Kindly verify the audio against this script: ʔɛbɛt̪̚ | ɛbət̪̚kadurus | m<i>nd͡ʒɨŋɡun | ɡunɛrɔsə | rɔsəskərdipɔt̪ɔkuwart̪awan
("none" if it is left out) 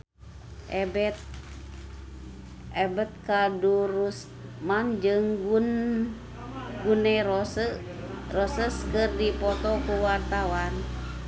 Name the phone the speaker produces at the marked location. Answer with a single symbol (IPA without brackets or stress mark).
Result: a